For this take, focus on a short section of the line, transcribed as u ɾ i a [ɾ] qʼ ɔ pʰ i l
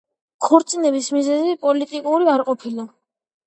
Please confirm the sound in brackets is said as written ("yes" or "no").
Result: yes